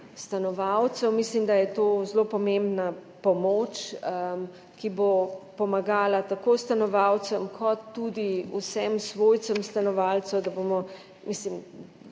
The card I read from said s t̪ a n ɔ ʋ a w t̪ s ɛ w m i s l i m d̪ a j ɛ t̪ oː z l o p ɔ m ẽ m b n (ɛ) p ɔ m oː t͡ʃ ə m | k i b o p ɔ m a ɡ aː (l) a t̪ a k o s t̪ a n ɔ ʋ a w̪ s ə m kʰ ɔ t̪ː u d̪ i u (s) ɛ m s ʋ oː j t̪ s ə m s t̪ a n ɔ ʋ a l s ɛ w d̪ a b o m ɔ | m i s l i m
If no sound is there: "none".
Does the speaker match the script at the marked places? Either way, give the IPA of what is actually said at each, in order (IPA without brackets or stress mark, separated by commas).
a, l, s